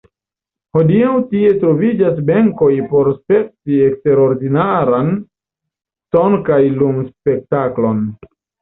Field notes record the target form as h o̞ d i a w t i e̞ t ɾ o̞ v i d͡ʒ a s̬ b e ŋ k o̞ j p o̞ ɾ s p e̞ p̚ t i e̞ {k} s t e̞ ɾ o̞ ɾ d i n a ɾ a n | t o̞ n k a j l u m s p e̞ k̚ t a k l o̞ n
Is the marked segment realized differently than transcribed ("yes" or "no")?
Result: no